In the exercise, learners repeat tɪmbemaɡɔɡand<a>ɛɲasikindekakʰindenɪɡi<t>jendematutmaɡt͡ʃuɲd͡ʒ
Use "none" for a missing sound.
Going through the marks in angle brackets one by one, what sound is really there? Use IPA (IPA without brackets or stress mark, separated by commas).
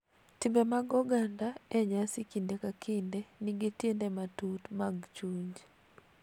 a, t